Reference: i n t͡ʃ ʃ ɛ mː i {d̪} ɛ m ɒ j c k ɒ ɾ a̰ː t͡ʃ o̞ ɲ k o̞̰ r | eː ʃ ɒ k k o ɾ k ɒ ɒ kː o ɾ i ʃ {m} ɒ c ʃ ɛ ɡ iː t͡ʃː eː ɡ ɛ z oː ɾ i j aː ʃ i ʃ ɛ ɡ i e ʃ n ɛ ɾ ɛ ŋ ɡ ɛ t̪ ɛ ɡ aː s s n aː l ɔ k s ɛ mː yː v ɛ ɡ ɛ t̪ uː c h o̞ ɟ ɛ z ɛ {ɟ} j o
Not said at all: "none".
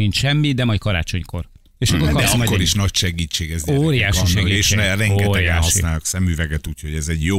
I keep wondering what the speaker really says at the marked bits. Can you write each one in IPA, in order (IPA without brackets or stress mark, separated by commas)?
d̪, n, ɟ